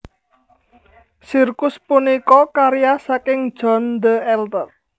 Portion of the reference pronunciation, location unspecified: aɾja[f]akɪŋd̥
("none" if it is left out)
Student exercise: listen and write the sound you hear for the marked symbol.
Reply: s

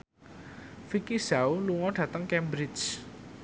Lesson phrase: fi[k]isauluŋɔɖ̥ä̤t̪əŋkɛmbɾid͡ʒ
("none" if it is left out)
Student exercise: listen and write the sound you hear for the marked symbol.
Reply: k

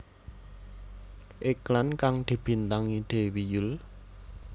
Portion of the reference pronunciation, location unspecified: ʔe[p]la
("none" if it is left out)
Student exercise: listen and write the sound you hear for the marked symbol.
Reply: k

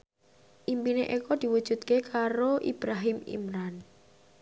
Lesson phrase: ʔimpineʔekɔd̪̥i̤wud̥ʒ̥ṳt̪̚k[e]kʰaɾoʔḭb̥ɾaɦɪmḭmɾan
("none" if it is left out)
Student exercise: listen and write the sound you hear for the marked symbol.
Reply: e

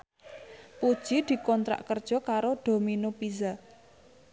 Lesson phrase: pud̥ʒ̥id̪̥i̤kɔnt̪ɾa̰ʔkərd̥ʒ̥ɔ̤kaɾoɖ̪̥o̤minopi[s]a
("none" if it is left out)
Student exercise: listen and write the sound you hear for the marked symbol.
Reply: z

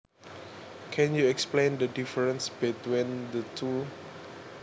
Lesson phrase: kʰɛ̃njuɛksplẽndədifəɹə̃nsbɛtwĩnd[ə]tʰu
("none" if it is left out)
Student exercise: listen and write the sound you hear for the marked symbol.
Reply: ə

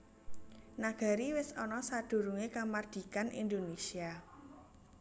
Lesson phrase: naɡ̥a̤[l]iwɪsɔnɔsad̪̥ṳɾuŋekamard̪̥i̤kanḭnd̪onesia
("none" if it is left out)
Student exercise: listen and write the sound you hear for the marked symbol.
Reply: ɾ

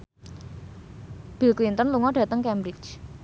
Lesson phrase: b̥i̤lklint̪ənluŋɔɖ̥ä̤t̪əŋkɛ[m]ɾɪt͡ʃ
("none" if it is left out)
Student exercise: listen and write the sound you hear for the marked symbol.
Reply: m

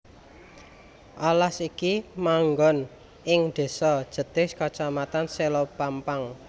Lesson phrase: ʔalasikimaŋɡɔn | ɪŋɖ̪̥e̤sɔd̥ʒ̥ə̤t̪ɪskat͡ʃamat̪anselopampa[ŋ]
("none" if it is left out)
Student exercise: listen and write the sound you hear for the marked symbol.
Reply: ŋ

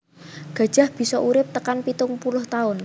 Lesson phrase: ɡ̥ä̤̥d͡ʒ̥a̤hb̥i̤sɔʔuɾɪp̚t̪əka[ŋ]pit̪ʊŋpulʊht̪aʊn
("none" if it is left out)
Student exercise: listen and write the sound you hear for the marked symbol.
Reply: n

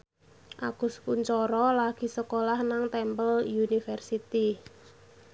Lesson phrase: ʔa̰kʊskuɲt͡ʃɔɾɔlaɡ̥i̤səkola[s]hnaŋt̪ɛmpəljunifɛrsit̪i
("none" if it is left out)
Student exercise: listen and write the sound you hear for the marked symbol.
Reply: none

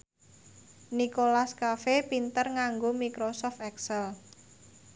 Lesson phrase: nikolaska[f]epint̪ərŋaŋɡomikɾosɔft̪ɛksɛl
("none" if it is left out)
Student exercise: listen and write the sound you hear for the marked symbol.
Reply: f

